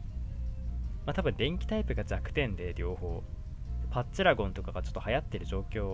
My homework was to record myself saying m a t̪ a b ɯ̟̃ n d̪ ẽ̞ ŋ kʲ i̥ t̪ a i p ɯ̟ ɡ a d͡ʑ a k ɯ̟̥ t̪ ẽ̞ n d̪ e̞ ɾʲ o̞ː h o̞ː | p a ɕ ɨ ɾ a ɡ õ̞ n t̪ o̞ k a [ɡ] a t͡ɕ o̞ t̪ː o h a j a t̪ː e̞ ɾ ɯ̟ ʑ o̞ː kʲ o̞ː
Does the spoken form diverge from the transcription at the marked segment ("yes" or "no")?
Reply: no